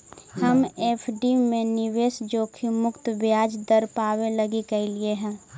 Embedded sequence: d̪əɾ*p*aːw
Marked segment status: correct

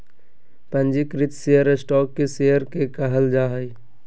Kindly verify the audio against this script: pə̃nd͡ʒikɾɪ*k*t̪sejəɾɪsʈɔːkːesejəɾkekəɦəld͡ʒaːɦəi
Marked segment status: incorrect: none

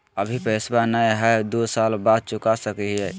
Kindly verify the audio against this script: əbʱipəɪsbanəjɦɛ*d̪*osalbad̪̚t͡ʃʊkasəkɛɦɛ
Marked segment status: correct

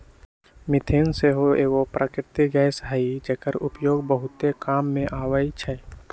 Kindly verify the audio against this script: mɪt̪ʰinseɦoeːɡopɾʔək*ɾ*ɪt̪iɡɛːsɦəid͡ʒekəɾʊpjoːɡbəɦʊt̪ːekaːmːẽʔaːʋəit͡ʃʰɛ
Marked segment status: correct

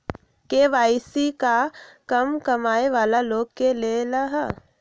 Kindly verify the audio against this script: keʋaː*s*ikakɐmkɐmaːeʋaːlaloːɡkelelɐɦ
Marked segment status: correct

